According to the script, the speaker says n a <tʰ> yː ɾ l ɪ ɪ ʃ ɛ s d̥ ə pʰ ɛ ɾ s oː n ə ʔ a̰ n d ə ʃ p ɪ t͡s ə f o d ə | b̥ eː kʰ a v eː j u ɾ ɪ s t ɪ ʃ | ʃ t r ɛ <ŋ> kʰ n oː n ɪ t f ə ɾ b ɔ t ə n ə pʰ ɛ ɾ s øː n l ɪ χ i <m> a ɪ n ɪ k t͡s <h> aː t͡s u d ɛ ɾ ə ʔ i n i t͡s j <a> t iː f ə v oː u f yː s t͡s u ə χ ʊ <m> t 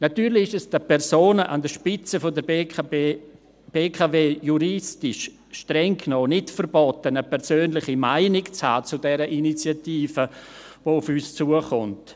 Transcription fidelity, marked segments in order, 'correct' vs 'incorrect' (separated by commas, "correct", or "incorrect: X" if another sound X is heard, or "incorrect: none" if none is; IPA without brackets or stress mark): incorrect: t, correct, correct, correct, correct, incorrect: n